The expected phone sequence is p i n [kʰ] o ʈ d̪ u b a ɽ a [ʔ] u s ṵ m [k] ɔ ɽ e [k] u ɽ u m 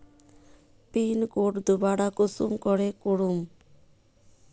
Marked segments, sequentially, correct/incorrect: incorrect, incorrect, correct, correct

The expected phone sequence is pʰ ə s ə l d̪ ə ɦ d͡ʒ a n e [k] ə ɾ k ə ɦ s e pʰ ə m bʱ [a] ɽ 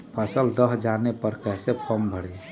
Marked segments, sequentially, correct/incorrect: incorrect, incorrect

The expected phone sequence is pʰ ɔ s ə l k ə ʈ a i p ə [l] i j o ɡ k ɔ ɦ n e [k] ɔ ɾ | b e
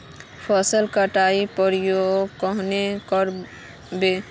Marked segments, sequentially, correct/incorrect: incorrect, correct

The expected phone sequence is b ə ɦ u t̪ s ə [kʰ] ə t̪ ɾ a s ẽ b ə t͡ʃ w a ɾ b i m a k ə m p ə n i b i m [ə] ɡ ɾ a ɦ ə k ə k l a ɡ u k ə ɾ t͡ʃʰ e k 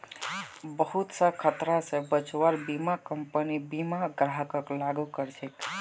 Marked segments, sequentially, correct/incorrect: correct, incorrect

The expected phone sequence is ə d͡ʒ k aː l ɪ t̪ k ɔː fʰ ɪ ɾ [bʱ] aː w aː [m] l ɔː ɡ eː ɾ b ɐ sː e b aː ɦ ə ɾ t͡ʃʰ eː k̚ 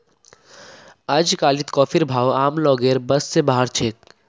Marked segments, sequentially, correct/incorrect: correct, correct

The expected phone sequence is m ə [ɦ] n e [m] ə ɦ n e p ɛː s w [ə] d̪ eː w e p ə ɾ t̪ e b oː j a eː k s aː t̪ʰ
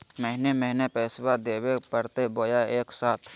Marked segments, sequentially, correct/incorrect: correct, correct, incorrect

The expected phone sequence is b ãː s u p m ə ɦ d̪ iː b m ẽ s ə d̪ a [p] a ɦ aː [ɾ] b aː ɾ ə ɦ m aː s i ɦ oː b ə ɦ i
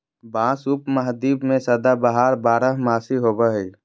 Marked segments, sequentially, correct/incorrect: incorrect, correct

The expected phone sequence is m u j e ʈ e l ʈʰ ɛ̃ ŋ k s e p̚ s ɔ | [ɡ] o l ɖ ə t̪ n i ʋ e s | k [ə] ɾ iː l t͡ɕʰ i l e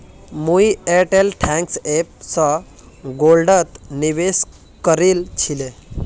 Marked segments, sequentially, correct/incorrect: correct, correct

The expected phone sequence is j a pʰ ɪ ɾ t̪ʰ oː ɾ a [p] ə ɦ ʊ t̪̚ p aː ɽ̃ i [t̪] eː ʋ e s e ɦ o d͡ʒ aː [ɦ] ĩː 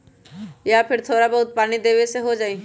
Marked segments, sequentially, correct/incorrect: incorrect, incorrect, incorrect

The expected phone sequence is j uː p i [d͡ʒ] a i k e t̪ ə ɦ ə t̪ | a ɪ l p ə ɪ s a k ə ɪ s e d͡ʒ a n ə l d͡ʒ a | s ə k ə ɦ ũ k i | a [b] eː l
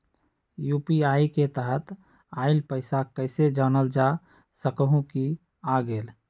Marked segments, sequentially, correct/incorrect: incorrect, incorrect

